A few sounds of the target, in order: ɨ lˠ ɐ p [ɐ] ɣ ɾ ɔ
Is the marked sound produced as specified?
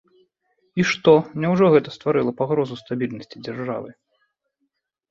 no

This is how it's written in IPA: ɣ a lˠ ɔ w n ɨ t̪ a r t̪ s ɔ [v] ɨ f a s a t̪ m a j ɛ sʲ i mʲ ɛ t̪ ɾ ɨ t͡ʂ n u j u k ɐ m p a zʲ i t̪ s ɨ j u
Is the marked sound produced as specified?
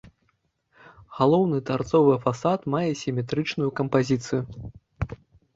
yes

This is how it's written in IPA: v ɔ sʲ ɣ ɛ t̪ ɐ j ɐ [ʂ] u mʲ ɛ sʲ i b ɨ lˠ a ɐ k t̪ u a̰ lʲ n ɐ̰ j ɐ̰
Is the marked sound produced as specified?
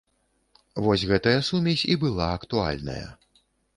no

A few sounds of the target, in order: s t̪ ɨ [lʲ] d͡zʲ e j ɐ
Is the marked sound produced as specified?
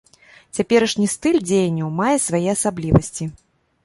yes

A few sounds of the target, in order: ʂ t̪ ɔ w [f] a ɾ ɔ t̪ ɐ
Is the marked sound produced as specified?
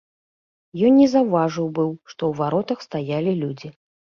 no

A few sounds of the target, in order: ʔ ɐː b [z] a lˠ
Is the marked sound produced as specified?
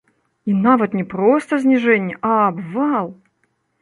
no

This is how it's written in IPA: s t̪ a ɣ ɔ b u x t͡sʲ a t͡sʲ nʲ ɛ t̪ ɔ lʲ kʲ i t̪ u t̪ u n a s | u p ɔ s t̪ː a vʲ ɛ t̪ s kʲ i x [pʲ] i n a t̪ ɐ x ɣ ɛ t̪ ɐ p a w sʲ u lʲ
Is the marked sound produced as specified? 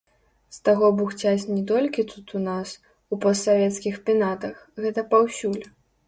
yes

